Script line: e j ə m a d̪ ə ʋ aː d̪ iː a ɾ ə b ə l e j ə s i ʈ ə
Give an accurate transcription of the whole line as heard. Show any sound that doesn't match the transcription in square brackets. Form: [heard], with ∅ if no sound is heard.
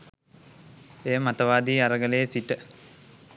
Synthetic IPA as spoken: e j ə m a [t̪] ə ʋ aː d̪ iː a ɾ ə [ɡ] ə l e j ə s i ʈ ə